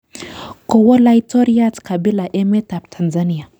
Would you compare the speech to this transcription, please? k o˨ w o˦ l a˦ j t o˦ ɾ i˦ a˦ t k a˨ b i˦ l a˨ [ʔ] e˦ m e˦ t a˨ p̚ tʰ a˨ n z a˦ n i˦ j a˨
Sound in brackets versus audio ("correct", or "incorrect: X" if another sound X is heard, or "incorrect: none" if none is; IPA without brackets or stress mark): correct